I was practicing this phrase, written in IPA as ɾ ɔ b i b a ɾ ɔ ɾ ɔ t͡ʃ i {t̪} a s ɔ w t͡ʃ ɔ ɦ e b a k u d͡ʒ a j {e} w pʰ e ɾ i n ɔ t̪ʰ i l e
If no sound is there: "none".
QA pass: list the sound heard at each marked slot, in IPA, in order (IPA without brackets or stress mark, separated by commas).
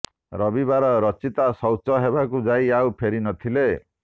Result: t̪, a